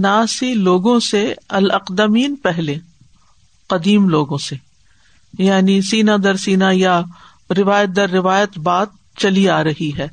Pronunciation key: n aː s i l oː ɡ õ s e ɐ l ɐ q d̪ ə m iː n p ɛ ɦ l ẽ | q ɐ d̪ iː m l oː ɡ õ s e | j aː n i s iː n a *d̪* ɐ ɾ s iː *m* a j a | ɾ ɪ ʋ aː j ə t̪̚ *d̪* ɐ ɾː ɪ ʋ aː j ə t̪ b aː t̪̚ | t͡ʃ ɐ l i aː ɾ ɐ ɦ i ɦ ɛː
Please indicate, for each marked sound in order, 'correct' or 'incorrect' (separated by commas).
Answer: correct, incorrect, correct